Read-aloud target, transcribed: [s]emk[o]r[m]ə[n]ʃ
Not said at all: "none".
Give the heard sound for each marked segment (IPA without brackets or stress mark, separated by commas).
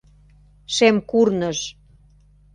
ʃ, u, n, none